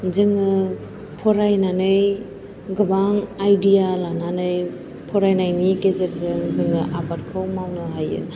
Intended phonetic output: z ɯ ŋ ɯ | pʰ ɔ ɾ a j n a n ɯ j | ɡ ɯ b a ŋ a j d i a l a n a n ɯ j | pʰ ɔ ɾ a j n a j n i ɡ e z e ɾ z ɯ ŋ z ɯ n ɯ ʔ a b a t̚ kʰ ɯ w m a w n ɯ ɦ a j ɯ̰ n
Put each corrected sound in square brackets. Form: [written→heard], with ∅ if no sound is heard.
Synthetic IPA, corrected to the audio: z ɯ ŋ ɯ | pʰ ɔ ɾ a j n a n ɯ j | ɡ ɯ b a ŋ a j d i a l a n a n ɯ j | pʰ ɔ ɾ a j n a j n i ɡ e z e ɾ z ɯ ŋ z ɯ [n→ŋ] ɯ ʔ a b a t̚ kʰ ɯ w m a w n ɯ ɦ a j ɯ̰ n